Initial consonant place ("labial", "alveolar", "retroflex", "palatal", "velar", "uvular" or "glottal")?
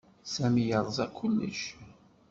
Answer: alveolar